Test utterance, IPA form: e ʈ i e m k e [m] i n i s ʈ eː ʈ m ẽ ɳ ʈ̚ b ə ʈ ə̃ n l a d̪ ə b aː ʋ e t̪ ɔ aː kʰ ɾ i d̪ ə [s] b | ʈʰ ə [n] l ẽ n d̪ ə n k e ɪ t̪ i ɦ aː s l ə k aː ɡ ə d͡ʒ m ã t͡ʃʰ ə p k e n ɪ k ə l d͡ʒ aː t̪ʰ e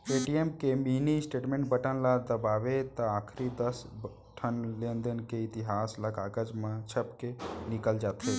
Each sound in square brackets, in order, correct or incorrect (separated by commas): correct, correct, correct